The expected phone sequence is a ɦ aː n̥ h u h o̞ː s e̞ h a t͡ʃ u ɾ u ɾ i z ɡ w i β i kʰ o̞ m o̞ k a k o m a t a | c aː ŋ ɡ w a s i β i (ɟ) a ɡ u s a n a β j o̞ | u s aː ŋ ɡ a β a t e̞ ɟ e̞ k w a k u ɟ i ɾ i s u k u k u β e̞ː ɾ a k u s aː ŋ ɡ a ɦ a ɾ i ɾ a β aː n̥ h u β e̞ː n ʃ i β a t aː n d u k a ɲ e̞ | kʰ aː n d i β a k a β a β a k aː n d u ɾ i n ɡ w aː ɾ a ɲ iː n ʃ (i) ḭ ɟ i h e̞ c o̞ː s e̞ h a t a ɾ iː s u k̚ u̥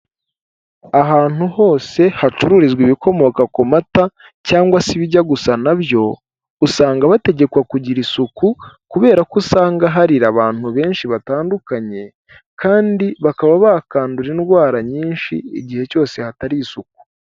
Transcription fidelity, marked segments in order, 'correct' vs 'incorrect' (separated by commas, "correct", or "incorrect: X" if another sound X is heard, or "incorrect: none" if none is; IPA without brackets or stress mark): correct, correct